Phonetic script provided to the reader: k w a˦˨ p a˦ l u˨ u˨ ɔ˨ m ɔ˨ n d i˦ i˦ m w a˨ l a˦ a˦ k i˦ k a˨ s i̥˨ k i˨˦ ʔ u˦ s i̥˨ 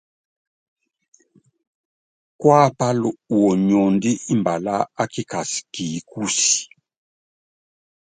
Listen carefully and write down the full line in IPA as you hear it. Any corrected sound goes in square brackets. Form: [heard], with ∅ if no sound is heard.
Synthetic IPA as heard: k w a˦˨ p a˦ l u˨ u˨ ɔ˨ [ɲ] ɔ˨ n d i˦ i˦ m [b] a˨ l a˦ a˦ k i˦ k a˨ s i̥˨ k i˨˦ [k] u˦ s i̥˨